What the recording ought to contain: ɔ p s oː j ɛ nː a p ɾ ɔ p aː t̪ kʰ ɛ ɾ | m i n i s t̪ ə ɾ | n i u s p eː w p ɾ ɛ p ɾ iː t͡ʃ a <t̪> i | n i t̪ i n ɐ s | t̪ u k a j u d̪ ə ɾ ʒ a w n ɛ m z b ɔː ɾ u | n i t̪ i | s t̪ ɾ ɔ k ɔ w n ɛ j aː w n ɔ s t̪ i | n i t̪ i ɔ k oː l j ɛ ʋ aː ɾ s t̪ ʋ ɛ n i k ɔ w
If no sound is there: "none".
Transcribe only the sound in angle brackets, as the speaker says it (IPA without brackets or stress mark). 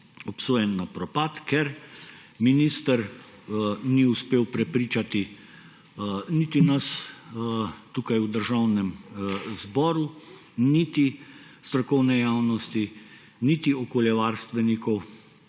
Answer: t̪